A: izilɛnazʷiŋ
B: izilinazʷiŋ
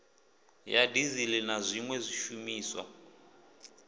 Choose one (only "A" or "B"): A